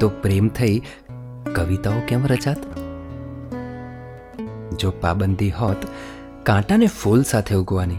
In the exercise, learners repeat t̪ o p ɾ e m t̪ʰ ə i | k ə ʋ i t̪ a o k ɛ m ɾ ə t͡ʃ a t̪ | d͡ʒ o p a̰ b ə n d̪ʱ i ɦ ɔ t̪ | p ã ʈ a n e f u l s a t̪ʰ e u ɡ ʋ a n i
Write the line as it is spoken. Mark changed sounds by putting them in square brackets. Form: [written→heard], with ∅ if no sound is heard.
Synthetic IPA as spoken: t̪ o p ɾ e m t̪ʰ ə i | k ə ʋ i t̪ a o k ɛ m ɾ ə t͡ʃ a t̪ | d͡ʒ o p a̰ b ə n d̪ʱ i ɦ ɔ t̪ | [p→k] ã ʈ a n e f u l s a t̪ʰ e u ɡ ʋ a n i